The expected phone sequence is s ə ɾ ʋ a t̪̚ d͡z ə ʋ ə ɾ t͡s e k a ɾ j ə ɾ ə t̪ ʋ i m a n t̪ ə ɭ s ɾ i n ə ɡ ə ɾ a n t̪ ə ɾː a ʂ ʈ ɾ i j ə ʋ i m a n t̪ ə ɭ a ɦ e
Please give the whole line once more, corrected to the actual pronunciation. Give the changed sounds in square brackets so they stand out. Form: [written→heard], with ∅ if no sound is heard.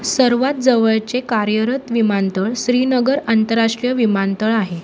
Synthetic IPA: s ə ɾ ʋ a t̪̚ d͡z ə ʋ ə [ɾ→ɭ] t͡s e k a ɾ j ə ɾ ə t̪ ʋ i m a n t̪ ə ɭ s ɾ i n ə ɡ ə ɾ a n t̪ ə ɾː a ʂ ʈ ɾ i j ə ʋ i m a n t̪ ə ɭ a ɦ e